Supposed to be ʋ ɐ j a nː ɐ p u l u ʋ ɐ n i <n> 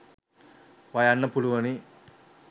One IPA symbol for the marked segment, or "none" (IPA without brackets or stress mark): none